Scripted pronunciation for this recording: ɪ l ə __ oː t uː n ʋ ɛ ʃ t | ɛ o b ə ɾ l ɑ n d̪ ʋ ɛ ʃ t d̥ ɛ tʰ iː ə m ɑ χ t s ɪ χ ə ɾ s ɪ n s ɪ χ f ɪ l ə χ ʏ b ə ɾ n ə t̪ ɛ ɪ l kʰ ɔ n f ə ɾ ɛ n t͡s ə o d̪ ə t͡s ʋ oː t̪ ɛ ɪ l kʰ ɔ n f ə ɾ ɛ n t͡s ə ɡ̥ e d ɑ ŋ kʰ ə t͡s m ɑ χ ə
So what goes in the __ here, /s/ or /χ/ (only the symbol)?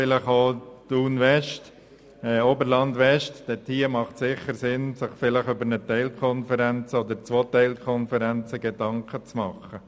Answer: χ